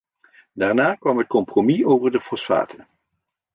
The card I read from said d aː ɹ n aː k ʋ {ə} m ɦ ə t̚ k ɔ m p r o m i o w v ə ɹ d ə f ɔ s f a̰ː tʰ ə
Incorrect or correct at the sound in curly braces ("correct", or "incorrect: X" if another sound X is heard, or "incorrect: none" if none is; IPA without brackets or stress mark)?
incorrect: ɑ